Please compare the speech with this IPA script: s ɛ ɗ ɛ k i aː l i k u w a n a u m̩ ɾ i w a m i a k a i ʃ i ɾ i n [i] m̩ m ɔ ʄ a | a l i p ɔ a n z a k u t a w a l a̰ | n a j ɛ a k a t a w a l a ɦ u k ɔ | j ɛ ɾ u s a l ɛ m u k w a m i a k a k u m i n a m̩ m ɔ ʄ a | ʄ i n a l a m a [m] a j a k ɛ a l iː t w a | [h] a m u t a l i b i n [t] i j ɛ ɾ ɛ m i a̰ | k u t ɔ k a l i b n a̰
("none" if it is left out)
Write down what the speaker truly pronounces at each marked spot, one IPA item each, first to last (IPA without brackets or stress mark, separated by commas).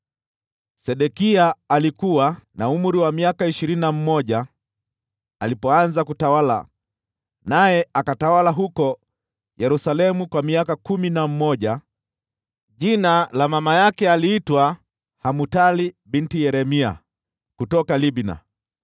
a, m, h, t